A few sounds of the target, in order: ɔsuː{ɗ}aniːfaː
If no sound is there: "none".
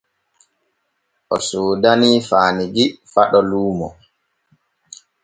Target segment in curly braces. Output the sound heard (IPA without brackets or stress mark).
d